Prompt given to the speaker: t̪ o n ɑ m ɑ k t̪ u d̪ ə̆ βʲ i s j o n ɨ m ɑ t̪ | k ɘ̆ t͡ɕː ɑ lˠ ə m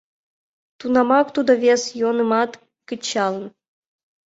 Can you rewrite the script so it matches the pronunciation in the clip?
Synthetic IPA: t̪ u n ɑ m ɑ k t̪ u d̪ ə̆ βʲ e s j o n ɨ m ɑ t̪ | k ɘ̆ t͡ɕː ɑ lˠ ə n